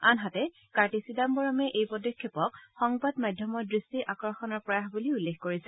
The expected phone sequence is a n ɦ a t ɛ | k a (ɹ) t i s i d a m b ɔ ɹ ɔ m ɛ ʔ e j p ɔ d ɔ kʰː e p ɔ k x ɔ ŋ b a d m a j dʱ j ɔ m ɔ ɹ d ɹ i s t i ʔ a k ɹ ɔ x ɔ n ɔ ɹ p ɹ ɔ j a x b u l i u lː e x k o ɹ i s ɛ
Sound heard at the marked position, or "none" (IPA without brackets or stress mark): ɹ